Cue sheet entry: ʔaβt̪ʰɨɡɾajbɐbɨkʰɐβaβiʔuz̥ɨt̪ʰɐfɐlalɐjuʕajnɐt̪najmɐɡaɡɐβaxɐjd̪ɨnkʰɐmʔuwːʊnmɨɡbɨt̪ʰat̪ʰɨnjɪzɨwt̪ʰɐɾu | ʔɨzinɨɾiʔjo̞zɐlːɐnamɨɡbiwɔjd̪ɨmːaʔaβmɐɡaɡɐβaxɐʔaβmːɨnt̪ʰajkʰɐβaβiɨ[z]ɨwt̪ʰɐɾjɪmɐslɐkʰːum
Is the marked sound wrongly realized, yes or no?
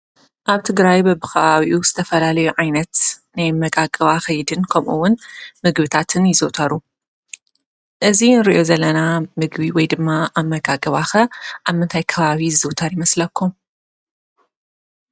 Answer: no